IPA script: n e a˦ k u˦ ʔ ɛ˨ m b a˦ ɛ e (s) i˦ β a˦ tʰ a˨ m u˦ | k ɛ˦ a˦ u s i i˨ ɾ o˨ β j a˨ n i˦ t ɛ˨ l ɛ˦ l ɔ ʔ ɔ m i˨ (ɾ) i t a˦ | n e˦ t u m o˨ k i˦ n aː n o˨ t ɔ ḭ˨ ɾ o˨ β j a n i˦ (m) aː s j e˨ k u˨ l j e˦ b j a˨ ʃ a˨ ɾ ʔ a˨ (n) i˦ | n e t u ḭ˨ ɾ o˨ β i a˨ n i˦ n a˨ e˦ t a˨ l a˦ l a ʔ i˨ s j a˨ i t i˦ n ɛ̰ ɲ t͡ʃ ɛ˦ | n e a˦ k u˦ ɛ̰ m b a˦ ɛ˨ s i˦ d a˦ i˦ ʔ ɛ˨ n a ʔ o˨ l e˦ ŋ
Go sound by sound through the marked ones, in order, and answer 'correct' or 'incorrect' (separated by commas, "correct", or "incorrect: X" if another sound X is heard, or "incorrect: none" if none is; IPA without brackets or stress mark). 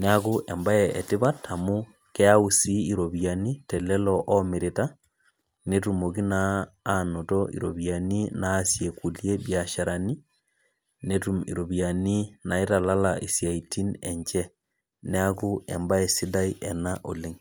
incorrect: t, correct, incorrect: n, correct